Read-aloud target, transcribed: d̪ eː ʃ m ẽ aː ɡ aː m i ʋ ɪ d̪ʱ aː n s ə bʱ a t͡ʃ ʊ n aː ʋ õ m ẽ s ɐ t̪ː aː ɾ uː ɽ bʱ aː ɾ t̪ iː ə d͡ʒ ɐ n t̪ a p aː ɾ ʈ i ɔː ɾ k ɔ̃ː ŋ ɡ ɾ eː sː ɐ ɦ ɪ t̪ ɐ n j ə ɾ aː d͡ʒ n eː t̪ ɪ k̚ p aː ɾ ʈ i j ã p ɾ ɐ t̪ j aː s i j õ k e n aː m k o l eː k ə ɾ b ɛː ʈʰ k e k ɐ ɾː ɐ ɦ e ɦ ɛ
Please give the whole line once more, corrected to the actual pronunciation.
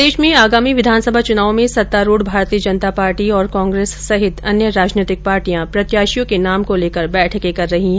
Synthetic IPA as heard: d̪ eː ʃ m ẽ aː ɡ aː m i ʋ ɪ d̪ʱ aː n s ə bʱ a t͡ʃ ʊ n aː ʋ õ m ẽ s ɐ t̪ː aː ɾ uː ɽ bʱ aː ɾ t̪ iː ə d͡ʒ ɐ n t̪ a p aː ɾ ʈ i ɔː ɾ k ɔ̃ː ŋ ɡ ɾ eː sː ɐ ɦ ɪ t̪ ɐ n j ə ɾ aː d͡ʒ n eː t̪ ɪ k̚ p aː ɾ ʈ i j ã p ɾ ɐ t̪ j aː ʃ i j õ k e n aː m k o l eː k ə ɾ b ɛː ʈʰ k e k ɐ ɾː ɐ ɦ i ɦ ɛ